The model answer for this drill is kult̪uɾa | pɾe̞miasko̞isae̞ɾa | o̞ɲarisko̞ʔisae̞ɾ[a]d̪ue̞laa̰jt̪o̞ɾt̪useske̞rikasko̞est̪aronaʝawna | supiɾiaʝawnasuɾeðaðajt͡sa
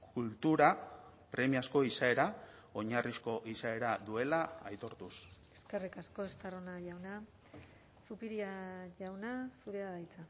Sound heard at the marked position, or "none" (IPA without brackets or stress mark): a